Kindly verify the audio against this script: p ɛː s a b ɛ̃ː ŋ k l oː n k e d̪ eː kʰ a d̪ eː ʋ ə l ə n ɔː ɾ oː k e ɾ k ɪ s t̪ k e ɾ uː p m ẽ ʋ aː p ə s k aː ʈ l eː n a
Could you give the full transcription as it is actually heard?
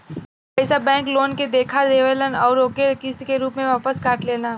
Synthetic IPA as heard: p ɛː s a b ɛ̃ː ŋ k l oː n k e d̪ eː kʰ a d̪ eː ʋ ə l ə n ɔː ɾ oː k e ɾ k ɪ s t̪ k e ɾ uː p m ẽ ʋ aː p ə s k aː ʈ l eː n a